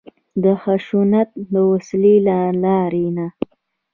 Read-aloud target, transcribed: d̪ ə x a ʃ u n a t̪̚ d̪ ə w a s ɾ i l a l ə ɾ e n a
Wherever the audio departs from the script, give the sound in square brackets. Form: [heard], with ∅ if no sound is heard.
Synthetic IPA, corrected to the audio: d̪ ə x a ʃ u n a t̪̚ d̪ ə w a s [l] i l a l [ɑ] ɾ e n a